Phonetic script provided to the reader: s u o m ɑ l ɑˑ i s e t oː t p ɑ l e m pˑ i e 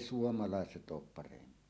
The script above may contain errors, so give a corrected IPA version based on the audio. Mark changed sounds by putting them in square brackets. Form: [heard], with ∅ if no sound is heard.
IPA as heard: s u o m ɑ l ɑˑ [e] s e t oː [p] p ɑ [r] e m pˑ i e